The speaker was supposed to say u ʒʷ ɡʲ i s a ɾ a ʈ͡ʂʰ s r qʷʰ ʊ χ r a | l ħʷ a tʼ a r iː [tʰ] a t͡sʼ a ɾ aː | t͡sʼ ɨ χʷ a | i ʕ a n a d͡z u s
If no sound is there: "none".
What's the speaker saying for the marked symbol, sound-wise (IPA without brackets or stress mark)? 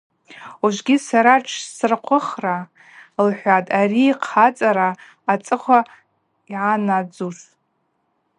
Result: qʰ